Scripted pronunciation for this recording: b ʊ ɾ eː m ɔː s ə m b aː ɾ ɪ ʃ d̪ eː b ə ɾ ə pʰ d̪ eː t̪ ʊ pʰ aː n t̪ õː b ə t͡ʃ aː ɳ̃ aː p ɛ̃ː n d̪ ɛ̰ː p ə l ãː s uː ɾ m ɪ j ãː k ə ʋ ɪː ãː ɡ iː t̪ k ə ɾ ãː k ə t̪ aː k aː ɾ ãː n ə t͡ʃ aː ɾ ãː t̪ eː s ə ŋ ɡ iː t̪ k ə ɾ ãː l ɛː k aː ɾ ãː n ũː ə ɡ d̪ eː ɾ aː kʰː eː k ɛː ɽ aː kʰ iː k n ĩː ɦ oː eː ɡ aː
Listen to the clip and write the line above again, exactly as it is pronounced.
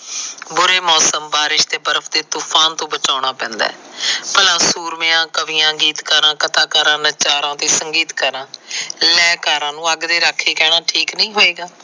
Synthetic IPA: b ʊ ɾ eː m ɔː s ə m b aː ɾ ɪ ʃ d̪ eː b ə ɾ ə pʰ d̪ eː t̪ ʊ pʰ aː n t̪ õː b ə t͡ʃ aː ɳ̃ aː p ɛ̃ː n d̪ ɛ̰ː p ə l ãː s uː ɾ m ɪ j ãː k ə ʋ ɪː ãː ɡ iː t̪ k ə ɾ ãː k ə t̪ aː k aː ɾ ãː n ə t͡ʃ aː ɾ ãː t̪ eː s ə ŋ ɡ iː t̪ k ə ɾ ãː l ɛː k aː ɾ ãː n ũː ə ɡ d̪ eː ɾ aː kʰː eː k ɛː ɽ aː ʈʰ iː k n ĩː ɦ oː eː ɡ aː